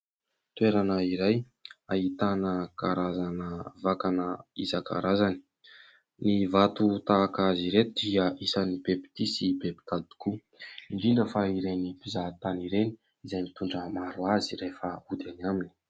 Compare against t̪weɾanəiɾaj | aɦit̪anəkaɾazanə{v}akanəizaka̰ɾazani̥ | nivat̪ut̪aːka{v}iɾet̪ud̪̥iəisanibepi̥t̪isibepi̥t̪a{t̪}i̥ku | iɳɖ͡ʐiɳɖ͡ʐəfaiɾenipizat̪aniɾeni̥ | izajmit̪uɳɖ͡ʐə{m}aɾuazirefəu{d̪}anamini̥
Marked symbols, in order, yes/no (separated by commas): yes, no, no, yes, yes